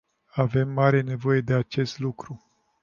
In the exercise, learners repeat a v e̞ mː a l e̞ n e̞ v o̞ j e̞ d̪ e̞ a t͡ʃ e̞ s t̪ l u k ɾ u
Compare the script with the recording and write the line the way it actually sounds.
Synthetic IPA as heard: a v e̞ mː a ɾ e̞ n e̞ v o̞ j e̞ d̪ e̞ a t͡ʃ e̞ s t̪ l u k ɾ u